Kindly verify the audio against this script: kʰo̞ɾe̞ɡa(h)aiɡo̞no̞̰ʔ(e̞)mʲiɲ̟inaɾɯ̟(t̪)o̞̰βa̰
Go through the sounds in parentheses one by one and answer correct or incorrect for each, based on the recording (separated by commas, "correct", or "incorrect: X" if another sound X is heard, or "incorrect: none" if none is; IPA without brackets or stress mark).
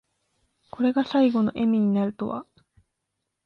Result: incorrect: s, correct, correct